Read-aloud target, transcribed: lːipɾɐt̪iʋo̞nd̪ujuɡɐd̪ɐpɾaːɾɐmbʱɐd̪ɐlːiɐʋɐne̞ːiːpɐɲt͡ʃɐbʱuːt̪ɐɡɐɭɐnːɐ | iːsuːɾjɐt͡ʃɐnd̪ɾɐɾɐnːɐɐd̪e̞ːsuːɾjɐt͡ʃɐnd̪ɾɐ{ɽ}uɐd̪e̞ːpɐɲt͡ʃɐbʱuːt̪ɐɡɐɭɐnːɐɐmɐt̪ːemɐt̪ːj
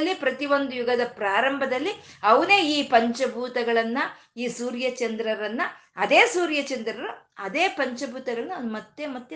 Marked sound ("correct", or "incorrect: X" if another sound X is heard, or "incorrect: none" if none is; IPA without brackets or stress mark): incorrect: ɾ